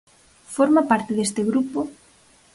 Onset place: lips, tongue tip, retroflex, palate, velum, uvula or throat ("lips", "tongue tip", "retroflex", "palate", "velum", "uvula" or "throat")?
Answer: lips